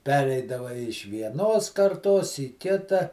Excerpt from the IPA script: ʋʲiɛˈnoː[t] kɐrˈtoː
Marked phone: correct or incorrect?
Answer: incorrect